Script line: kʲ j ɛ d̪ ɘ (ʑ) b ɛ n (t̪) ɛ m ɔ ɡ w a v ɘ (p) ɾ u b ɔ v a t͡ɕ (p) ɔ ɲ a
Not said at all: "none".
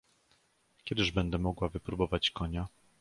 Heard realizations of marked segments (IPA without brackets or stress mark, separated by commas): ʐ, d̪, p, k